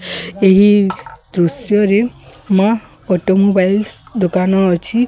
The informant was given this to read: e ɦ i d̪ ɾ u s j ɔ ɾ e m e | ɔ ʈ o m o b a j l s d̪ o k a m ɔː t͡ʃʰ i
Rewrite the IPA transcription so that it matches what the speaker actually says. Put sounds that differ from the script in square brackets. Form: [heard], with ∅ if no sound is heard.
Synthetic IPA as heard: e ɦ i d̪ ɾ u s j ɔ ɾ e m [a] | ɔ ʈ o m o b a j l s d̪ o k a [n] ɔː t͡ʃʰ i